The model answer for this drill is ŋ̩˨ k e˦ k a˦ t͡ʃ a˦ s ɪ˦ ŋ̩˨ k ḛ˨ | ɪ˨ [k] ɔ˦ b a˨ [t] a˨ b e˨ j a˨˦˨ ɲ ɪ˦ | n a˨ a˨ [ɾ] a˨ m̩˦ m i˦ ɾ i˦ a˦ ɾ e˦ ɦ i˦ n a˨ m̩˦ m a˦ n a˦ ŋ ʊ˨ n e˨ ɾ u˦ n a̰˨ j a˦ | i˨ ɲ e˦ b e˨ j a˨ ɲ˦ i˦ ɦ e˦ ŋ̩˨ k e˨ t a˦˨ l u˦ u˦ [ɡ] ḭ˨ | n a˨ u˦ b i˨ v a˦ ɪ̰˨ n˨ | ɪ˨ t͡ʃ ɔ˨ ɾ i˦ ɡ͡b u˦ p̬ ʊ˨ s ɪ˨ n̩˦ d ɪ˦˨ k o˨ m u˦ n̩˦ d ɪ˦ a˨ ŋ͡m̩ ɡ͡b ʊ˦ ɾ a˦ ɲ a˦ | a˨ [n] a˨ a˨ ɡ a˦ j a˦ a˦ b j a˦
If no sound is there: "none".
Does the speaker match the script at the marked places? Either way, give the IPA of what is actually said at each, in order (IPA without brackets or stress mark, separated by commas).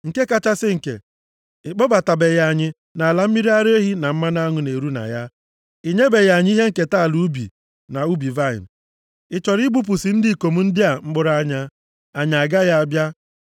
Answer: k͡p, t, l, b, ɲ